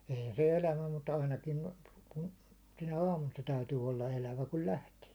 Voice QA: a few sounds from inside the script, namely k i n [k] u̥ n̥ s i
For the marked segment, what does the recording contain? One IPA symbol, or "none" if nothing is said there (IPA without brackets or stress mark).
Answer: k